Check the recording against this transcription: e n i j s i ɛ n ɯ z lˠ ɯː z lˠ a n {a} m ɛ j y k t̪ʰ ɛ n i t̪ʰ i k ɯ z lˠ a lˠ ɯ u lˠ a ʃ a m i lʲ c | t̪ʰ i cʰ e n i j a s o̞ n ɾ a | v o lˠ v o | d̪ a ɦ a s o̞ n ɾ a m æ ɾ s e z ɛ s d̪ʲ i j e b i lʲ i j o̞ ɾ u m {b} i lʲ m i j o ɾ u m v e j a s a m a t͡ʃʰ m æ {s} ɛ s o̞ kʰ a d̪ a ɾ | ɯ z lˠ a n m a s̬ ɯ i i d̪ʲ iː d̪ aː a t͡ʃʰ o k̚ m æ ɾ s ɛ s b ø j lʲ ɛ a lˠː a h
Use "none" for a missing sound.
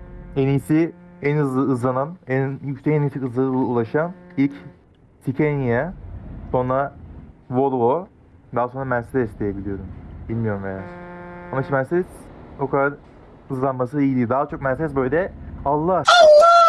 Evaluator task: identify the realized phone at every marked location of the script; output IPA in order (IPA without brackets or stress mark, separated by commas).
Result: a, b, s